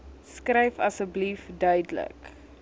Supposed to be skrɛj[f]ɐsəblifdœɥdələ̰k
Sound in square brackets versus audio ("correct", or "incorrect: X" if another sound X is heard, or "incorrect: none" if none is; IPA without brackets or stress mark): correct